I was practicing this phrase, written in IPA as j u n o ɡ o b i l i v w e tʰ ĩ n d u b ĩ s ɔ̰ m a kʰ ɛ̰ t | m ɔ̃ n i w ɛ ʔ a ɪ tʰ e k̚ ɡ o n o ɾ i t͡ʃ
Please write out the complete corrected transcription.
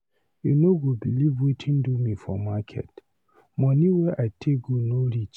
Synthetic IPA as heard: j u n o ɡ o b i l i v w e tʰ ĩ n d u m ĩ f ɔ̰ m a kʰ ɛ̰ t | m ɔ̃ n i w ɛ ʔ a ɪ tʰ e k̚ ɡ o n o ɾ i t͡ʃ